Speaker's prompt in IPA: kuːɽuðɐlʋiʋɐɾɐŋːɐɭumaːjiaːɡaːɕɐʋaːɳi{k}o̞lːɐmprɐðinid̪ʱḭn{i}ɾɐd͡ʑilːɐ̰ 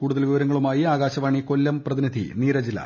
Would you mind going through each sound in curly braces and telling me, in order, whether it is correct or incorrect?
correct, incorrect

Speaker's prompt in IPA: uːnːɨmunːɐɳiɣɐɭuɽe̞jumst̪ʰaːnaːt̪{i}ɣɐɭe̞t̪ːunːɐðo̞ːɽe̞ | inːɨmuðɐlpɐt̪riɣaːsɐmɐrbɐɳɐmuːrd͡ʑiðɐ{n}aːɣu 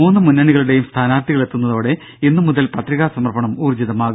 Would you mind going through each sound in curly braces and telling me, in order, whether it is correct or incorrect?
correct, incorrect

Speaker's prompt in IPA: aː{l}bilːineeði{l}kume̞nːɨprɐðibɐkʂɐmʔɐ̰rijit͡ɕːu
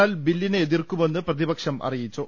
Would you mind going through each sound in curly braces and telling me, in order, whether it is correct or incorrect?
correct, incorrect

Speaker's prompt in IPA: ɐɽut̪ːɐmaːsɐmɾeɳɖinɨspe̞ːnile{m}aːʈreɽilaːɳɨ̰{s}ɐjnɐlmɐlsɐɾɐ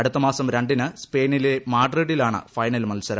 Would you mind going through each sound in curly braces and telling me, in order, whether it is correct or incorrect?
correct, incorrect

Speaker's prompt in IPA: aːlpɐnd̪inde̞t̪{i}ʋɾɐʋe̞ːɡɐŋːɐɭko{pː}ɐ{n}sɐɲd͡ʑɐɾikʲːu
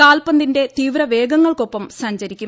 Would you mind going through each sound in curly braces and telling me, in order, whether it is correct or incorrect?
incorrect, correct, incorrect

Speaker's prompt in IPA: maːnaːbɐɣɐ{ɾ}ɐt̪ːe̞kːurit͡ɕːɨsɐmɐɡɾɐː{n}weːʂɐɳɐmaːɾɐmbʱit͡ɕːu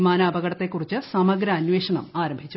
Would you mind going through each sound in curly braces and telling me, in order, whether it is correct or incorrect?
incorrect, correct

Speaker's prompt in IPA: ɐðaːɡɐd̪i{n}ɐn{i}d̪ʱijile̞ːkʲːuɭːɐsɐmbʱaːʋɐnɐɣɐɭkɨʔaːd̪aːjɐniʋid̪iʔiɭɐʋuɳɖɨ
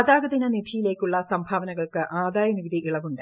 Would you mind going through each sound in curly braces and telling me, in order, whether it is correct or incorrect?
correct, correct

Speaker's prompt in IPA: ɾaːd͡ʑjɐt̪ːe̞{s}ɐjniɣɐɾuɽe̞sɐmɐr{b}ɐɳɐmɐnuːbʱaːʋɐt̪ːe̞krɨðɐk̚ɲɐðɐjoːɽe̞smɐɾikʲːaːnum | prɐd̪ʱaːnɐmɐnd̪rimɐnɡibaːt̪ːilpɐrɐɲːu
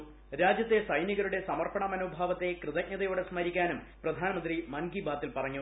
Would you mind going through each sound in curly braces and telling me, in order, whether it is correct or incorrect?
correct, incorrect

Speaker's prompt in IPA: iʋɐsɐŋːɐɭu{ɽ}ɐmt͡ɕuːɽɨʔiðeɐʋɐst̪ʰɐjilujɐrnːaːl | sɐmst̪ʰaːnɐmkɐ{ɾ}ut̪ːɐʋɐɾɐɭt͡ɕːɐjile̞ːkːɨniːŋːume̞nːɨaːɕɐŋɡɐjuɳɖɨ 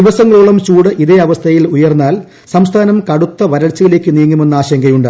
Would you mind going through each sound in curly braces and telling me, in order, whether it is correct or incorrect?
incorrect, incorrect

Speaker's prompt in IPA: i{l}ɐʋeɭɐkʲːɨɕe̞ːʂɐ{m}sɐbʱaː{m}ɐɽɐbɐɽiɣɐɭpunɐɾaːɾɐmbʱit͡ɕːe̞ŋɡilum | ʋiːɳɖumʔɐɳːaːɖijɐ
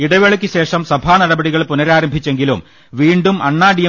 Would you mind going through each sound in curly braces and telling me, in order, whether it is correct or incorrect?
incorrect, correct, incorrect

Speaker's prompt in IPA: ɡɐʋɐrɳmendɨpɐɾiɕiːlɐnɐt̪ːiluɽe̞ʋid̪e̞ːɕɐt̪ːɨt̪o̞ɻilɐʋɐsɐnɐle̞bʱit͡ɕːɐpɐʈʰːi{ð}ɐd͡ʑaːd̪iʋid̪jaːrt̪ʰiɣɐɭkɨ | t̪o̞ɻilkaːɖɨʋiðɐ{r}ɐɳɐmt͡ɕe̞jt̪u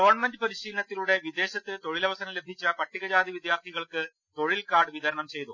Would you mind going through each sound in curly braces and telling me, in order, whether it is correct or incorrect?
incorrect, incorrect

